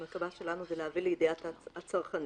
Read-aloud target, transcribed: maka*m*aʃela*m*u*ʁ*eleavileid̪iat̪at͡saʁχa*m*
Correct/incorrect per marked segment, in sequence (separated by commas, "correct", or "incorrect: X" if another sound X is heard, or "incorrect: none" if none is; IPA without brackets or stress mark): incorrect: b, incorrect: n, incorrect: z, incorrect: n